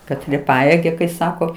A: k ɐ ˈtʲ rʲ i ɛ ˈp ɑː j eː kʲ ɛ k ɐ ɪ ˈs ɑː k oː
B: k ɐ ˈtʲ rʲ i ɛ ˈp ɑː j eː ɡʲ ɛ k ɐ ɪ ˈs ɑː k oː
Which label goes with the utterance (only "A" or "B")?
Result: B